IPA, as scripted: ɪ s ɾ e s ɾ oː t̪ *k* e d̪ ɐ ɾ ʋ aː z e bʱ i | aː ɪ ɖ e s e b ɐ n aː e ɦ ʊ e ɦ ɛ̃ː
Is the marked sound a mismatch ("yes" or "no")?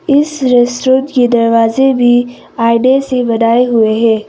no